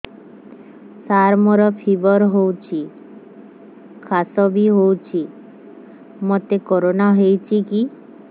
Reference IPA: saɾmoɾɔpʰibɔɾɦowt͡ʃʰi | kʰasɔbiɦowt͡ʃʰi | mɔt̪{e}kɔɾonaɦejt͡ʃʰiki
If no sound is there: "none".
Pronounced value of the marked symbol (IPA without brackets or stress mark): e